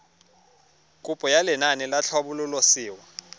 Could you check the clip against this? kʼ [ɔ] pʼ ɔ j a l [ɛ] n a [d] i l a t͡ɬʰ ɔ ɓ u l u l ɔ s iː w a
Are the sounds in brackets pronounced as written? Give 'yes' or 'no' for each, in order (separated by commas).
no, yes, no